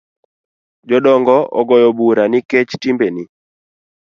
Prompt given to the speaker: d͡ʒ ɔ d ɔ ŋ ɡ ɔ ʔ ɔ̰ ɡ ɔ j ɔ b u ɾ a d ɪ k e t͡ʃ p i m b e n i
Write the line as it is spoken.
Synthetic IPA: d͡ʒ ɔ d ɔ ŋ ɡ ɔ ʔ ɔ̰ ɡ ɔ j ɔ b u ɾ a n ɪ k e t͡ʃ t i m b e n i